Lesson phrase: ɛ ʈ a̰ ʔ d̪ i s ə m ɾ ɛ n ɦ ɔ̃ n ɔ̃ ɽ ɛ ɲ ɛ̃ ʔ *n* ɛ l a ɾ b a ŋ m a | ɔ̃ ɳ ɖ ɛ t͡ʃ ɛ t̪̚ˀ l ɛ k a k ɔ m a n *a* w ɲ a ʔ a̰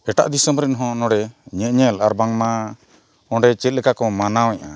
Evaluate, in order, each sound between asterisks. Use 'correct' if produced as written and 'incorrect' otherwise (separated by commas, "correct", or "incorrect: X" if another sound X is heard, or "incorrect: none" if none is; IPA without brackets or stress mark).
incorrect: ɲ, correct